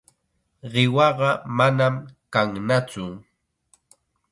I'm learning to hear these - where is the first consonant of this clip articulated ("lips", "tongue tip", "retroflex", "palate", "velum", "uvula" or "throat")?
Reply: uvula